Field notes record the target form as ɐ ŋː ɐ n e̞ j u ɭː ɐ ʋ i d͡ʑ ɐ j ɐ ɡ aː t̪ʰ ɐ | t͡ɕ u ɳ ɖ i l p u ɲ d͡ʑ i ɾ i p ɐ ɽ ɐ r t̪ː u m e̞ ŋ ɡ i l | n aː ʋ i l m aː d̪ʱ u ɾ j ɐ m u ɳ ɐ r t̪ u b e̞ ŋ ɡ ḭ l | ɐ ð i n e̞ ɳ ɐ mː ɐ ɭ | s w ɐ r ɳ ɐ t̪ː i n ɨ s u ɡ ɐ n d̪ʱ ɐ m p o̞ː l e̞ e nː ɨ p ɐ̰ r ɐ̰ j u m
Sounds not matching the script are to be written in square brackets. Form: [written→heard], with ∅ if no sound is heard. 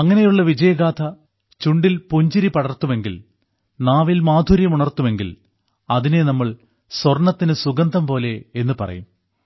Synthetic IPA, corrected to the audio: ɐ ŋː ɐ n e̞ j u ɭː ɐ ʋ i d͡ʑ ɐ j ɐ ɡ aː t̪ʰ ɐ | t͡ɕ u ɳ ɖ i l p u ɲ d͡ʑ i ɾ i p ɐ ɽ ɐ r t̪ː u m e̞ ŋ ɡ i l | n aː ʋ i l m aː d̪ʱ u ɾ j ɐ m u ɳ ɐ r t̪ u [b→m] e̞ ŋ ɡ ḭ l | ɐ ð i n e̞ [ɳ→n] ɐ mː ɐ ɭ | s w ɐ r ɳ ɐ t̪ː i n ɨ s u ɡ ɐ n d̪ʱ ɐ m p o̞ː l e̞ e nː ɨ p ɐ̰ r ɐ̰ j u m